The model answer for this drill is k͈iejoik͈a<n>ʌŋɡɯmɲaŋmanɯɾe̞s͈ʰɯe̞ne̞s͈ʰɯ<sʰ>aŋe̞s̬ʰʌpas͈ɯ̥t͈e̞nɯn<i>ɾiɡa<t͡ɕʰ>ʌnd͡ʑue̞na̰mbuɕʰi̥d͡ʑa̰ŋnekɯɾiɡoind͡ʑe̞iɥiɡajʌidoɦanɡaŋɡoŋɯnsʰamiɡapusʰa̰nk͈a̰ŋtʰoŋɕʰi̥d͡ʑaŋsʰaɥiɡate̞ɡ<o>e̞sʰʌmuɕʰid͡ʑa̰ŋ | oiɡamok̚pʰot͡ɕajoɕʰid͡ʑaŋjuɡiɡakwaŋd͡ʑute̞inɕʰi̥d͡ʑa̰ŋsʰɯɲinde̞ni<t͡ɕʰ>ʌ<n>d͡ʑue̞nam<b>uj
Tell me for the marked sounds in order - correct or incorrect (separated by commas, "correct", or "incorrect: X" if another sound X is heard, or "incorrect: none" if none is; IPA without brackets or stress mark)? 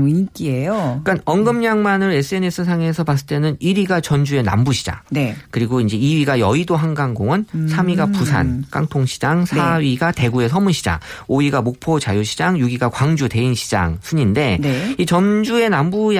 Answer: correct, correct, correct, incorrect: t͡ɕ, incorrect: u, incorrect: t͡ɕ, correct, correct